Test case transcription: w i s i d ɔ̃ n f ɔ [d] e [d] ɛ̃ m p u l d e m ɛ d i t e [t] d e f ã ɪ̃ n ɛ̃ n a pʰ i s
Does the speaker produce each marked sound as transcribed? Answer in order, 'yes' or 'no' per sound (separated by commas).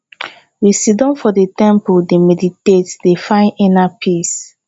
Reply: yes, no, yes